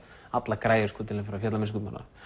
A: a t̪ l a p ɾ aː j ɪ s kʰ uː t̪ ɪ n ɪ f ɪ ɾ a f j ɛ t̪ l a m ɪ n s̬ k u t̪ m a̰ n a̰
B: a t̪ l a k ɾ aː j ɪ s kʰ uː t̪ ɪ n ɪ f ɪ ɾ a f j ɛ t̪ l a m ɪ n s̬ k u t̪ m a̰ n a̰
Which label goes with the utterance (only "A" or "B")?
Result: B